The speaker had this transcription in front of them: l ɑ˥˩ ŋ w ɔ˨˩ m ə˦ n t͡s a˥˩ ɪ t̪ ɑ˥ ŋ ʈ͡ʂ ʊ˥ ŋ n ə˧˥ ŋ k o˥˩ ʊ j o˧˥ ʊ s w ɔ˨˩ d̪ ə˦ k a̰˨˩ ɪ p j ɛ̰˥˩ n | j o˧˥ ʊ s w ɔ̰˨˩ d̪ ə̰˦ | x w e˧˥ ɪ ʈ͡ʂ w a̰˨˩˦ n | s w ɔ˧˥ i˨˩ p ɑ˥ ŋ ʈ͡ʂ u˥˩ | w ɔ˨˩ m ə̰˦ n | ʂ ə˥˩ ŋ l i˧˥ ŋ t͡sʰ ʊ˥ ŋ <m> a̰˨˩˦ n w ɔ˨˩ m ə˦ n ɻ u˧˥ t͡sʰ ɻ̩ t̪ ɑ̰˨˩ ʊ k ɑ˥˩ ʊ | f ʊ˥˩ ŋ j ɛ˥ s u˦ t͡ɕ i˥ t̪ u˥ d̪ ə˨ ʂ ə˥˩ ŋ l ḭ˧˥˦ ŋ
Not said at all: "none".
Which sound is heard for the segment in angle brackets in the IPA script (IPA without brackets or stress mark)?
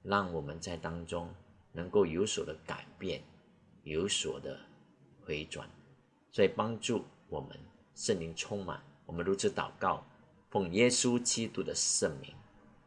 m